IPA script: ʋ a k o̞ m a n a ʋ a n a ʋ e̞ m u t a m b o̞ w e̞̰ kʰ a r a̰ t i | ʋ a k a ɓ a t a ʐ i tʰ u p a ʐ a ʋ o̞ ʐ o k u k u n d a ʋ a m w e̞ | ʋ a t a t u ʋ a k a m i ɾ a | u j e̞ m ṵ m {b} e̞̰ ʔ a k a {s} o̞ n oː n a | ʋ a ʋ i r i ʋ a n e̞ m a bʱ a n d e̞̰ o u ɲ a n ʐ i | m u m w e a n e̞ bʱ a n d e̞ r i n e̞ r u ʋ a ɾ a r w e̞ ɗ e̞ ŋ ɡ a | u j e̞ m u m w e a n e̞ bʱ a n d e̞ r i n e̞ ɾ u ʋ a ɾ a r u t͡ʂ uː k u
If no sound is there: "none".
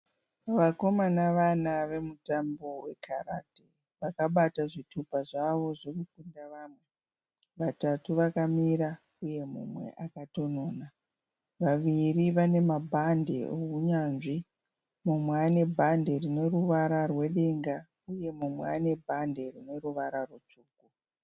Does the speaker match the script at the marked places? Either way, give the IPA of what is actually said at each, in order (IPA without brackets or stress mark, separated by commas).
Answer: w, t